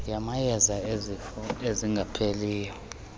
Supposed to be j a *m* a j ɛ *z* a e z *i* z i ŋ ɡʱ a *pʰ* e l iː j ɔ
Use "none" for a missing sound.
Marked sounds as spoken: m, z, e, pʰ

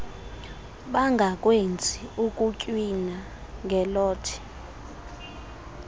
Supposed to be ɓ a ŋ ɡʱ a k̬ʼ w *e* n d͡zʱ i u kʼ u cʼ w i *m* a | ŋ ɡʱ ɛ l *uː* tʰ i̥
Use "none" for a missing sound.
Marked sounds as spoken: e, n, ɔː

